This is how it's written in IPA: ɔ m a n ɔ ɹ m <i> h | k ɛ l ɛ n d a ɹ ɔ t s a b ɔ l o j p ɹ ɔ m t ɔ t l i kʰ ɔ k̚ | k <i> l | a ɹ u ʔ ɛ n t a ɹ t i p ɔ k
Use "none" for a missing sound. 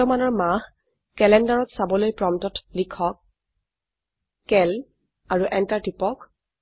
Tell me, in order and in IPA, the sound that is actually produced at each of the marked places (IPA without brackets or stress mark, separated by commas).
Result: a, ɛ